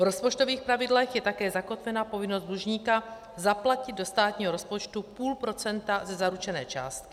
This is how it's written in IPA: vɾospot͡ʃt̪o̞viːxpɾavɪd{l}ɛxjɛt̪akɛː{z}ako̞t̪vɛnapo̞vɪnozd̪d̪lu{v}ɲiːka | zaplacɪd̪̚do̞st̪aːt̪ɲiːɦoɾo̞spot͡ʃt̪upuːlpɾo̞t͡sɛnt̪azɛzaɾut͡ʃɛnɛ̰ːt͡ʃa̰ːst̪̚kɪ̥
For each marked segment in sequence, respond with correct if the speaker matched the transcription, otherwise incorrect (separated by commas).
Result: correct, correct, incorrect